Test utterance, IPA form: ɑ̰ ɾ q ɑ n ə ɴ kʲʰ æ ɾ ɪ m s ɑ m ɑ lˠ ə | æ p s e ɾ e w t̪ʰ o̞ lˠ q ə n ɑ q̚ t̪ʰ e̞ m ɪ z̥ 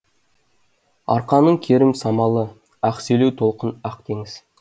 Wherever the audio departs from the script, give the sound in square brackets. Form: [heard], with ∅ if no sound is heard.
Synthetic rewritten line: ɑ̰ ɾ q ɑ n ə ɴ kʲʰ [e] ɾ ɪ m s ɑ m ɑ lˠ ə | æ [q] s e [l] e w t̪ʰ o̞ lˠ q ə n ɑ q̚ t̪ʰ e̞ [ŋ] ɪ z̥